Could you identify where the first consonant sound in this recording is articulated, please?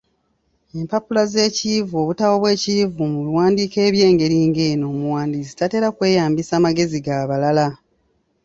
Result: labial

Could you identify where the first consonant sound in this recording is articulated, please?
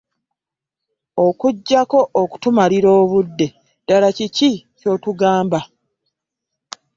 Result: velar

